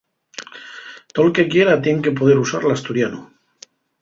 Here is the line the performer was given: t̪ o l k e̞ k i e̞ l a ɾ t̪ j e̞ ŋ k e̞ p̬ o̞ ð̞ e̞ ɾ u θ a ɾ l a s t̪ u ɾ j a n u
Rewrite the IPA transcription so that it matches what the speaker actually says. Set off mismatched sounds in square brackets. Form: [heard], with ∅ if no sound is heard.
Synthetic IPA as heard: t̪ o l k e̞ k [j] e̞ [ɾ] a [∅] t̪ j e̞ ŋ k e̞ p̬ o̞ ð̞ e̞ ɾ u [s] a ɾ l a s t̪ u ɾ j a n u